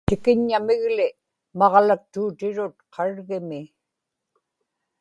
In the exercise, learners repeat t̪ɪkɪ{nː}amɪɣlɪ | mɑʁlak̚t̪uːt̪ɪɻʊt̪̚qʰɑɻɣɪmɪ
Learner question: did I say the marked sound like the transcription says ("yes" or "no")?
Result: no